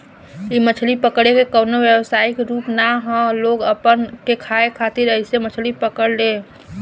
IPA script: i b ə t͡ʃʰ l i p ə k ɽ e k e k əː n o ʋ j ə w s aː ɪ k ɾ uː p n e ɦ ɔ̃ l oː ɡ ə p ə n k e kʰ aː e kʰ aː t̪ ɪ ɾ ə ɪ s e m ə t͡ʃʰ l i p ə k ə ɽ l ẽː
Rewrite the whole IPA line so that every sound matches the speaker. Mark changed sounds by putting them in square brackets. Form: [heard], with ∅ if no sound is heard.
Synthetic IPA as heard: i [m] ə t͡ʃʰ l i p ə k ɽ e k e k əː n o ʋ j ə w s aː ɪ k ɾ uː p n [a] ɦ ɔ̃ l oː ɡ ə p ə n k e kʰ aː e kʰ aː t̪ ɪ ɾ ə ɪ s e m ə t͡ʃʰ l i p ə k ə ɽ l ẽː